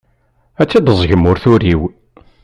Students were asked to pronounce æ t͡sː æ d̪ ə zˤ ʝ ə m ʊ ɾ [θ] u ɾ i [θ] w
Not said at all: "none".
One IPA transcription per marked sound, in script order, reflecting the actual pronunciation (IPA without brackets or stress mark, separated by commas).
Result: θ, none